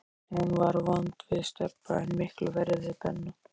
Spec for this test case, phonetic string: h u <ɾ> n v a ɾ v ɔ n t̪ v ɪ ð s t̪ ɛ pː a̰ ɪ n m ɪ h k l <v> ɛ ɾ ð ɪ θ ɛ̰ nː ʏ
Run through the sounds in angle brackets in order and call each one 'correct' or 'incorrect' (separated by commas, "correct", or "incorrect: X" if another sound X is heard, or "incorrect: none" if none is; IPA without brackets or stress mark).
incorrect: none, correct